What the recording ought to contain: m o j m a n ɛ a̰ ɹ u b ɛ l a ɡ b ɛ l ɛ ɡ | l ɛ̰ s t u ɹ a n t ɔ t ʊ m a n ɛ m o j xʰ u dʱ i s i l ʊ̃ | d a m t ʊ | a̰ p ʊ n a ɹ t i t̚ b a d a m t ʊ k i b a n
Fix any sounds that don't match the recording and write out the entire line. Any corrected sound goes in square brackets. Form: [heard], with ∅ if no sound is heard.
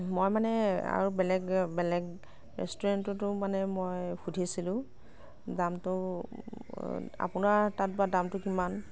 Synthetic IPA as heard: m o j m a n ɛ a̰ ɹ u b ɛ l [ɛ] ɡ b ɛ l ɛ ɡ | [ɹ] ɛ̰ s t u ɹ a n t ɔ t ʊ m a n ɛ m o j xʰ u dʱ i s i l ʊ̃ | d a m t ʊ | a̰ p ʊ n a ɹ t [a] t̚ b a d a m t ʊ k i [m] a n